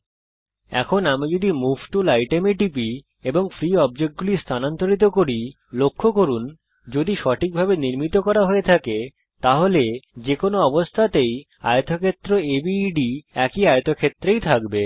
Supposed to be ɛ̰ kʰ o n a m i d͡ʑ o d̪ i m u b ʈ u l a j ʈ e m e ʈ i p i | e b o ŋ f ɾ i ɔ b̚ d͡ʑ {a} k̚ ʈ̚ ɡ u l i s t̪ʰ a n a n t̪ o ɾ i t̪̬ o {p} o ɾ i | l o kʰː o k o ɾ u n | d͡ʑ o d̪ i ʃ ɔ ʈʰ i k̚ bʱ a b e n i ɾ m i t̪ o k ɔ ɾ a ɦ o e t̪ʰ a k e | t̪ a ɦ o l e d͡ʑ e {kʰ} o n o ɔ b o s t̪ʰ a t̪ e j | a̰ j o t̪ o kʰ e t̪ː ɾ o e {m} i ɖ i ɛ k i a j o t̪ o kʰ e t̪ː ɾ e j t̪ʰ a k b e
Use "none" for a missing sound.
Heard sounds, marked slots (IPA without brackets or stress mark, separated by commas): e, k, k, b